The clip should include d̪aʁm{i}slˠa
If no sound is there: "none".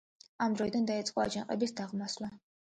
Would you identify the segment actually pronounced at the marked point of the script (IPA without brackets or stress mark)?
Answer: a